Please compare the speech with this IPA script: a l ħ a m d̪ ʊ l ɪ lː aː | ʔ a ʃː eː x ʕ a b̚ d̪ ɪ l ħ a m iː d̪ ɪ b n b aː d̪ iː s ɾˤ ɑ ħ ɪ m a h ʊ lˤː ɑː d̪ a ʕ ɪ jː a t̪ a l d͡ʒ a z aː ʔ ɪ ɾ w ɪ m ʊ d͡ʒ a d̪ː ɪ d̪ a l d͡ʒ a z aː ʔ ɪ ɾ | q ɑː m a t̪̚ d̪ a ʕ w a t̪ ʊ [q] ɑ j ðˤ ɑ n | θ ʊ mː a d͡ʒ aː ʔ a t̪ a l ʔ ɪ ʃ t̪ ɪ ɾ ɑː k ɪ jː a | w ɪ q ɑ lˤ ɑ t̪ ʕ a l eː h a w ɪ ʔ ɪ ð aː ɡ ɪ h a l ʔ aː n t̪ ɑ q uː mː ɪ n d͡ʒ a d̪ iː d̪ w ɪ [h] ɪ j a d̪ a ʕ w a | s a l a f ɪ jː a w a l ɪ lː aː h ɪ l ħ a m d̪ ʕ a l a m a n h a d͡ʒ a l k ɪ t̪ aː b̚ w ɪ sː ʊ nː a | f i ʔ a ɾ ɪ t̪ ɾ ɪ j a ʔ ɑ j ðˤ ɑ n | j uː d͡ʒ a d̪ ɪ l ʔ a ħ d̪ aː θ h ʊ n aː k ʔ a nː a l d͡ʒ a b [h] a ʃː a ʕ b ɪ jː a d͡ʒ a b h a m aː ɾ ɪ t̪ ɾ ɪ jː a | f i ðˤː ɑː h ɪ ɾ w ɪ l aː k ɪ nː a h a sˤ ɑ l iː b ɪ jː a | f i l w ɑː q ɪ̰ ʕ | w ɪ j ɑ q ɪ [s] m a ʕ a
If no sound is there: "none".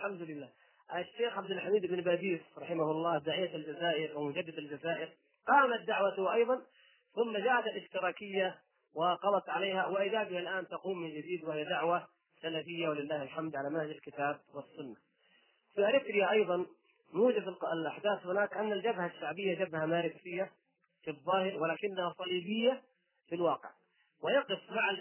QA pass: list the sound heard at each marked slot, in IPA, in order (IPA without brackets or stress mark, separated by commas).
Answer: ʔ, h, h, f